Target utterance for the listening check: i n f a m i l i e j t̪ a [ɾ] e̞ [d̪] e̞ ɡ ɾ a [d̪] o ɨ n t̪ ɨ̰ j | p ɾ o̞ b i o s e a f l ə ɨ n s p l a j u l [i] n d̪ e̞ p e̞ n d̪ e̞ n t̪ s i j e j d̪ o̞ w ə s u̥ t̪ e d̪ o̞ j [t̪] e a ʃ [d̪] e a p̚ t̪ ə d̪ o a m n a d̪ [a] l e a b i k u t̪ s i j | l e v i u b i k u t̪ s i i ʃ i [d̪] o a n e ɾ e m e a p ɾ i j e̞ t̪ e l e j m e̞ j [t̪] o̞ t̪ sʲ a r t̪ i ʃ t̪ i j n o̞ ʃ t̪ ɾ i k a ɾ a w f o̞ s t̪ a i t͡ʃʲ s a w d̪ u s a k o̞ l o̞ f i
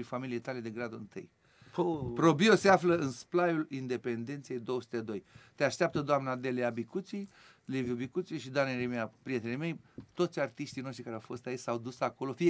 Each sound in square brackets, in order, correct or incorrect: incorrect, correct, correct, correct, correct, incorrect, incorrect, correct, correct

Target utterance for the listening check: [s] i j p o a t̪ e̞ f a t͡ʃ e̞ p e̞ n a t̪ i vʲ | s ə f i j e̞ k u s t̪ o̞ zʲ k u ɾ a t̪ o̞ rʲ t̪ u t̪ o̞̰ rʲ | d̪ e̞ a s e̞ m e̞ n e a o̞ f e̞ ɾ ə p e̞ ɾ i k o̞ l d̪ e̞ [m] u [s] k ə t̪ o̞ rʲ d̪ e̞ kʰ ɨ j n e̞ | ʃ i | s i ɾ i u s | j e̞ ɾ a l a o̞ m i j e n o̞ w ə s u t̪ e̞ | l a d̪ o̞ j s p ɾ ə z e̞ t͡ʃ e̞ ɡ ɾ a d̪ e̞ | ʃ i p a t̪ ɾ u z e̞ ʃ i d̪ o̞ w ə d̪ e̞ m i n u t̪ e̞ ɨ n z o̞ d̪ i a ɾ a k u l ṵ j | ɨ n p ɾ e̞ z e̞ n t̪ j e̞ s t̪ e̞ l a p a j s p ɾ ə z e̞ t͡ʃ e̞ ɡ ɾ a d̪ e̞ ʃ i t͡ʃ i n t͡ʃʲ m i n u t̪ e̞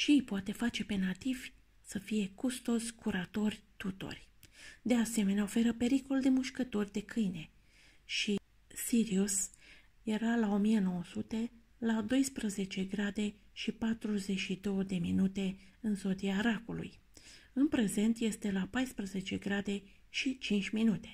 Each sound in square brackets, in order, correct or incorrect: incorrect, correct, incorrect

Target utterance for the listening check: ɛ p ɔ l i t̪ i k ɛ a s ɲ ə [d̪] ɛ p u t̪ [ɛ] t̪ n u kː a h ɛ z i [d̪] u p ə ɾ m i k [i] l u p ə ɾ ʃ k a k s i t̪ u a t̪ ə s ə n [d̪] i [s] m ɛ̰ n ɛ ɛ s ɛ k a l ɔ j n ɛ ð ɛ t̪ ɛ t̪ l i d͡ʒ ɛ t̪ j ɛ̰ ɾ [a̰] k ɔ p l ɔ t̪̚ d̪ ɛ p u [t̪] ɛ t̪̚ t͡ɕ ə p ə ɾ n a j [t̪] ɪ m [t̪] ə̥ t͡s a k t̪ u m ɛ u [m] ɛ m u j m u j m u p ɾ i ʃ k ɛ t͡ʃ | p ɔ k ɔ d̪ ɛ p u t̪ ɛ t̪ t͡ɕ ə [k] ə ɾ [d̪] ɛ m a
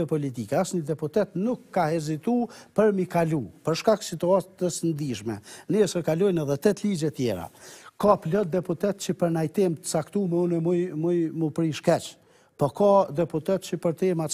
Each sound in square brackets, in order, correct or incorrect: correct, correct, incorrect, incorrect, correct, incorrect, correct, correct, correct, correct, incorrect, incorrect, incorrect

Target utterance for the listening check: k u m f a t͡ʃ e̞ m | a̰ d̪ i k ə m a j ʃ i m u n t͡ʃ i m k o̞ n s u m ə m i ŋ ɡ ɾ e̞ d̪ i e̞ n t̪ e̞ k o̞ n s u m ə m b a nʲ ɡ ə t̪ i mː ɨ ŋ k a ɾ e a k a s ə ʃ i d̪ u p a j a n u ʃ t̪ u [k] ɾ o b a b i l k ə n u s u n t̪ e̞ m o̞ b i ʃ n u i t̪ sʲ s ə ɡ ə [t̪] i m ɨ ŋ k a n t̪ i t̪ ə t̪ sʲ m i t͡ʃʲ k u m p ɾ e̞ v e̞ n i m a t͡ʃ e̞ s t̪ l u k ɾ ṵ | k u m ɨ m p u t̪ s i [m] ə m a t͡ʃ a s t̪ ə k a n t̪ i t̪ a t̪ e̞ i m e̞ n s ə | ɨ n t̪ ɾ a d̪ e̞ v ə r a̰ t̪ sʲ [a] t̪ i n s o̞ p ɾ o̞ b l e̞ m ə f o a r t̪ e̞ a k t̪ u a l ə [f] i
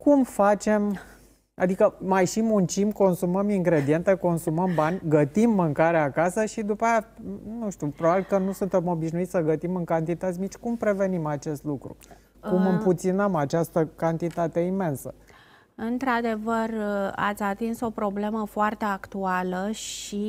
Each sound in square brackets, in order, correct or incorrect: incorrect, correct, incorrect, correct, incorrect

